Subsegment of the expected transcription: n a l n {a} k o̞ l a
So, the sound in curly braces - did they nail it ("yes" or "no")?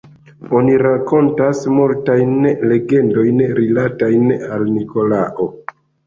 no